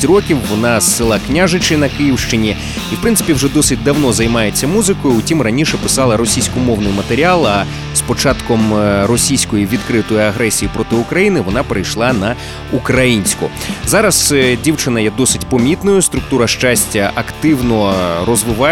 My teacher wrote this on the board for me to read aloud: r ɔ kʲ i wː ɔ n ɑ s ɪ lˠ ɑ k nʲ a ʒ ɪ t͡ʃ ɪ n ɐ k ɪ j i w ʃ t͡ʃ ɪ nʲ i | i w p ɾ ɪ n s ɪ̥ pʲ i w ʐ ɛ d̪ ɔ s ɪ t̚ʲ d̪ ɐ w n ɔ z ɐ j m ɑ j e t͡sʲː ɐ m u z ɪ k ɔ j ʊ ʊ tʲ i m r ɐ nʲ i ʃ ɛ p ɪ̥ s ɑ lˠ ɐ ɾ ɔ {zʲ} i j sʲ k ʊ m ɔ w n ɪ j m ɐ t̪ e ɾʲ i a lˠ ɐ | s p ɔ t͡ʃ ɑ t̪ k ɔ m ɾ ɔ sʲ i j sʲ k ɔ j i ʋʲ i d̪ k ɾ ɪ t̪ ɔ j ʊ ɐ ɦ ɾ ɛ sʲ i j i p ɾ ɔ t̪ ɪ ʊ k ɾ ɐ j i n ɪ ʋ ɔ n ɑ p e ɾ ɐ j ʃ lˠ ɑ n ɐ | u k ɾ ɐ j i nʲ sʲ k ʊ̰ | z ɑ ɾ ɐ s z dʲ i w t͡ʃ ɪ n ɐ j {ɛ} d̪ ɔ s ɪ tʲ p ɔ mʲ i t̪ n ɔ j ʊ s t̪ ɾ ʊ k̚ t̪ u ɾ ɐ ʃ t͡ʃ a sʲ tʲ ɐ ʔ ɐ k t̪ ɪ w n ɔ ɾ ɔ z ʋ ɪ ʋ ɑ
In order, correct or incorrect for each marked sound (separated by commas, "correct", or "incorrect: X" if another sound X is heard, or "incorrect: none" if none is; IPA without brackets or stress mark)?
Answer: incorrect: sʲ, correct